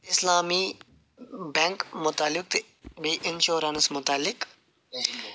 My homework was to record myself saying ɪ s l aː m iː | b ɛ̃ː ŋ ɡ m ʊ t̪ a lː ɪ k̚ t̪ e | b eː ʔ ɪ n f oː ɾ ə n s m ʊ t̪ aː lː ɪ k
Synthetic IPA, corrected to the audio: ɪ s l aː m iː | b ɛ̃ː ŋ k m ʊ t̪ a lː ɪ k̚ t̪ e | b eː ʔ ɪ n ʃ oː ɾ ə n s m ʊ t̪ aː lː ɪ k